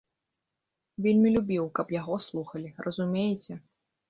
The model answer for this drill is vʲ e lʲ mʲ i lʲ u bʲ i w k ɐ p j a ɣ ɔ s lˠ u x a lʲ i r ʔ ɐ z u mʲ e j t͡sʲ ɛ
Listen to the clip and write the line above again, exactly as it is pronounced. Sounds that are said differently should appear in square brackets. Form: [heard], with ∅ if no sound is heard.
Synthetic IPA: vʲ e lʲ mʲ i lʲ u bʲ i w k ɐ p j a ɣ ɔ s lˠ u x [ɐ] lʲ i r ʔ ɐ z u mʲ e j t͡sʲ ɛ